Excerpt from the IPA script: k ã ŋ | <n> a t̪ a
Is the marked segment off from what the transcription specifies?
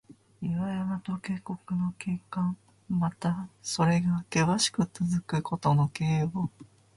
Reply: yes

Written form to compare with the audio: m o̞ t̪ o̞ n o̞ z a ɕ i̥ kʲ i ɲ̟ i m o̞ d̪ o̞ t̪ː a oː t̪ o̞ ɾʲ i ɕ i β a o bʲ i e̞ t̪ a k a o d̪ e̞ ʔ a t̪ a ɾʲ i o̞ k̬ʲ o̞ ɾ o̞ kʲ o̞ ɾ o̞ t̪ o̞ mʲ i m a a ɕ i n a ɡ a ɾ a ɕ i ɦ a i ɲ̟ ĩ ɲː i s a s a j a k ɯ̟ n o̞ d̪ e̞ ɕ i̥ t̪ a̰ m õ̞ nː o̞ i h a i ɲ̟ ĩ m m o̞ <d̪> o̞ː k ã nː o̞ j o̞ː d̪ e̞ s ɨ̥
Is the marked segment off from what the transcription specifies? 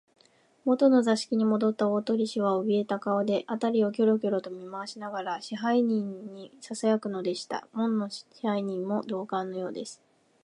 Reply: no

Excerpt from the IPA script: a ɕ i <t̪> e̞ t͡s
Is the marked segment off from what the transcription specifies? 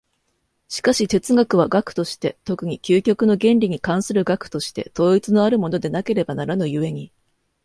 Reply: no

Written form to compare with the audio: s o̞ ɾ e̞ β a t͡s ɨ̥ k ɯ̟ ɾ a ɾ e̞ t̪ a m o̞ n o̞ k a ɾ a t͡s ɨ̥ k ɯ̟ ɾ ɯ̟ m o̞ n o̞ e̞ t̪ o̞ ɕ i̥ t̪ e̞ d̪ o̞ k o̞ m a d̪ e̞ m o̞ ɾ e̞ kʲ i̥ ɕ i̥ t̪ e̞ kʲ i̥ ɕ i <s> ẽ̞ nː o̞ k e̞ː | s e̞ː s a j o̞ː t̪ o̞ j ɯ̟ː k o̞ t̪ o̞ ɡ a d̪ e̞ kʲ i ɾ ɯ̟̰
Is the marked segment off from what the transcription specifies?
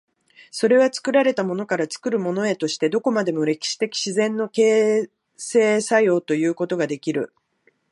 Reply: yes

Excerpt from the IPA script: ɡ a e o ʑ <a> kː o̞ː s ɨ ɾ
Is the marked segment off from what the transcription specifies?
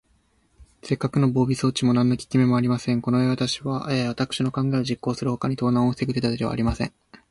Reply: yes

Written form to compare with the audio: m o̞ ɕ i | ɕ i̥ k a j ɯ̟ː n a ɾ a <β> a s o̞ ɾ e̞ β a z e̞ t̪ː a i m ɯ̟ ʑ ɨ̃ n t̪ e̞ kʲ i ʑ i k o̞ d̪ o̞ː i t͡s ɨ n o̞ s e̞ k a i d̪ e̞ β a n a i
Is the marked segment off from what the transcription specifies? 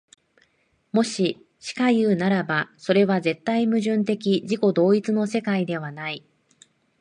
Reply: yes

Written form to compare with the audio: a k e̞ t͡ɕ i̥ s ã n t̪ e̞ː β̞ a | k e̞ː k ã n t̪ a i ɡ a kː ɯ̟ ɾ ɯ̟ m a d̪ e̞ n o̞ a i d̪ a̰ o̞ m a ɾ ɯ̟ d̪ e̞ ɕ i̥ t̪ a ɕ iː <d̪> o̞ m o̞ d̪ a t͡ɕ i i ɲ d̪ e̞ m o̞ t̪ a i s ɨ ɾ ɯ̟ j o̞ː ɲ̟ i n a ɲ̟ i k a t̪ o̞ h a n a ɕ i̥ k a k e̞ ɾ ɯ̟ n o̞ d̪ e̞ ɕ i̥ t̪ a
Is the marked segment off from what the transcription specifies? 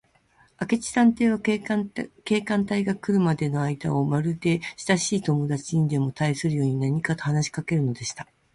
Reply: yes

